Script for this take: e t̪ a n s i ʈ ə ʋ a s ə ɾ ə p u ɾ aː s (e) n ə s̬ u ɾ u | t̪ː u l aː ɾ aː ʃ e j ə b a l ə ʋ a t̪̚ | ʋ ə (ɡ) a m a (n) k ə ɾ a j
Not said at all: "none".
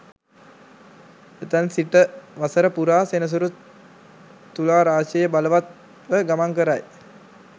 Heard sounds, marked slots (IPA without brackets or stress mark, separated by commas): e, ɡ, ŋ